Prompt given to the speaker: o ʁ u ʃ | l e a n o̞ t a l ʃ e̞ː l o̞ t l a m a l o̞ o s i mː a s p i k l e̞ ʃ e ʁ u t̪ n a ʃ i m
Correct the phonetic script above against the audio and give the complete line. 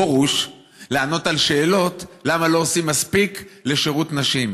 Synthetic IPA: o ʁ u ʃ | l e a n o̞ t a l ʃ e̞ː l o̞ t l a m a l o̞ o s i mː a s p i k l e̞ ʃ e ʁ u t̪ n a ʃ i m